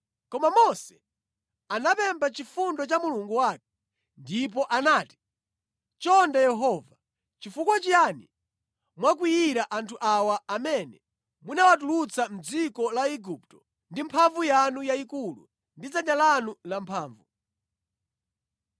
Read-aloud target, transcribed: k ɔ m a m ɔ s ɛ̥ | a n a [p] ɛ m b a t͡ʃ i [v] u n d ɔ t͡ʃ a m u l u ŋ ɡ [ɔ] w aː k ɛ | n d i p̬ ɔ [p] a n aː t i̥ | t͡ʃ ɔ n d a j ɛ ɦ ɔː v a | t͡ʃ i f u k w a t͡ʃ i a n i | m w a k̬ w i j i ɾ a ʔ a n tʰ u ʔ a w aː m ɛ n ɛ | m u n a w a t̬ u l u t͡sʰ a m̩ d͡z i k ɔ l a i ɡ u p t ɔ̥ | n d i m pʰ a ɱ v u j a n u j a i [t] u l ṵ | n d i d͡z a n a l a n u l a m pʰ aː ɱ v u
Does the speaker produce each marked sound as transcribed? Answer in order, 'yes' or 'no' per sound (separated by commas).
yes, no, no, no, no